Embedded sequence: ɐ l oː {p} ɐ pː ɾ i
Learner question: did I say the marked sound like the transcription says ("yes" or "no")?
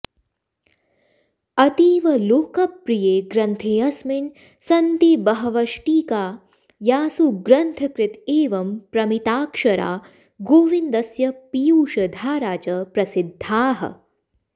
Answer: no